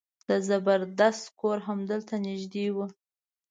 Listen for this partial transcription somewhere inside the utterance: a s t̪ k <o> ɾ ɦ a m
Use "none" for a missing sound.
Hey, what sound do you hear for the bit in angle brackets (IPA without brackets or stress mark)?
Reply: o